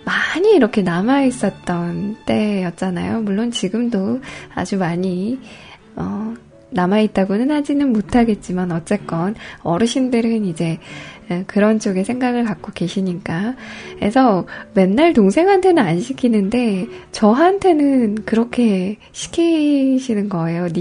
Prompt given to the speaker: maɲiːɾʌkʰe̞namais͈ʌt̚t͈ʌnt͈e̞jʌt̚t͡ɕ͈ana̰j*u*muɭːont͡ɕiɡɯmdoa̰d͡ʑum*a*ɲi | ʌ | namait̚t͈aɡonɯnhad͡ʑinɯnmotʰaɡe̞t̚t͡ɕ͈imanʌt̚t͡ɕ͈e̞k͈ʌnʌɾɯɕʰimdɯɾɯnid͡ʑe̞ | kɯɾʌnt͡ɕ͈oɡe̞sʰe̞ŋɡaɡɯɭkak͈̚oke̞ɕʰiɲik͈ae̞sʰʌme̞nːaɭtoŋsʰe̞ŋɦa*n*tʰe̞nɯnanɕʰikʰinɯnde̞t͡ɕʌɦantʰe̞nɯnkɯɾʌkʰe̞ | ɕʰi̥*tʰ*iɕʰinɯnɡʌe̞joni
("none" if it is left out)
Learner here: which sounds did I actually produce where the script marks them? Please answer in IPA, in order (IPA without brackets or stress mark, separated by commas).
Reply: o, a, n, kʰ